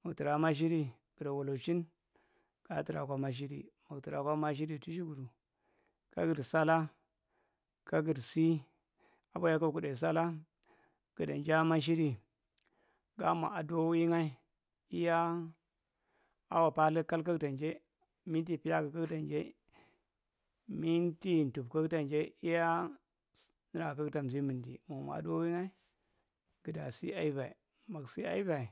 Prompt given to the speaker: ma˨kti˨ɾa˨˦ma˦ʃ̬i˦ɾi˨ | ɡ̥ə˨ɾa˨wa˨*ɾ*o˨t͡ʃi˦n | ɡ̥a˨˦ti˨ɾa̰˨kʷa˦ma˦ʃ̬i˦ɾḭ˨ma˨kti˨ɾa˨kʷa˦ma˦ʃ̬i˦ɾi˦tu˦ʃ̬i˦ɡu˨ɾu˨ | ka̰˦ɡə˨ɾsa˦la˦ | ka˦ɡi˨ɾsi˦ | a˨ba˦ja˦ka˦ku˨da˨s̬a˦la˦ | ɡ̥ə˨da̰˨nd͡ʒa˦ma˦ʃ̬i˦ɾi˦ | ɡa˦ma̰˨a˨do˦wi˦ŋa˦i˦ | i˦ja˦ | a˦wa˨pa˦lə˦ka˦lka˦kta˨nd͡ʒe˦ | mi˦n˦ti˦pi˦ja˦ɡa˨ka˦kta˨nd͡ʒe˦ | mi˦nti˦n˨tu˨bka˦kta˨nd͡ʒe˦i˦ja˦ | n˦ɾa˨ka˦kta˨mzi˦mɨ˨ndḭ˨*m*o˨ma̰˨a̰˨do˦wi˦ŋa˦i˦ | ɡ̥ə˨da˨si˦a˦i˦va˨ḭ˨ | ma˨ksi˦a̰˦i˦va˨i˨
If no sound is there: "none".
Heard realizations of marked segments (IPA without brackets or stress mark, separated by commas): l, m